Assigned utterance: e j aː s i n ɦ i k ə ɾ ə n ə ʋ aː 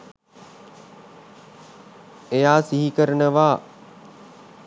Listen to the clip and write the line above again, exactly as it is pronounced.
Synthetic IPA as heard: e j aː s i ɦ i k ə ɾ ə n ə ʋ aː